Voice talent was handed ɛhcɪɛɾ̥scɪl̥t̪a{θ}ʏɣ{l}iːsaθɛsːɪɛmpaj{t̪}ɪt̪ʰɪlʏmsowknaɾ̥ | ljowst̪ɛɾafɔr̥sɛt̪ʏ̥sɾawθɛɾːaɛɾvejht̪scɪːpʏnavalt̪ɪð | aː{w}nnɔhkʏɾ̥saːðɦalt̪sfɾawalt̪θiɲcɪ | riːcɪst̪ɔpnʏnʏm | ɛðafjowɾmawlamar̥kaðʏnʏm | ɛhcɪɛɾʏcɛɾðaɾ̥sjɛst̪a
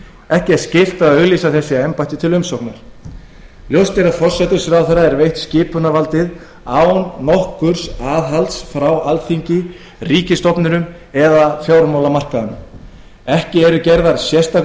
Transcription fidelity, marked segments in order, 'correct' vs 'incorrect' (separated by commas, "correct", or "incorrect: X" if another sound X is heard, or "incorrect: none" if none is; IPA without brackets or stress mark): incorrect: ð, correct, correct, correct